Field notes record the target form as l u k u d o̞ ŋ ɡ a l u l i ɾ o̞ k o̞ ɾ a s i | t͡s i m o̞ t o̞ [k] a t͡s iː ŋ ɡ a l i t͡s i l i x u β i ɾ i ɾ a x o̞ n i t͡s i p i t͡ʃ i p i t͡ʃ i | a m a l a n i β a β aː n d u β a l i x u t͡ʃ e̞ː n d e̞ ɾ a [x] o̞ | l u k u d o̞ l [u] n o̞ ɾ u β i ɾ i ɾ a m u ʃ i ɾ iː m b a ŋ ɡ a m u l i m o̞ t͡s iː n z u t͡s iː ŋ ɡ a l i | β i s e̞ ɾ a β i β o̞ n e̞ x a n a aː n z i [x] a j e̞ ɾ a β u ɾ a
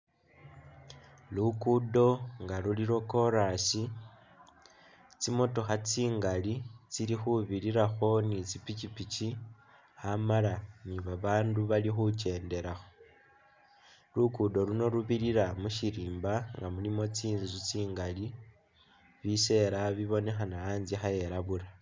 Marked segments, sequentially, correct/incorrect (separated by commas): incorrect, correct, correct, correct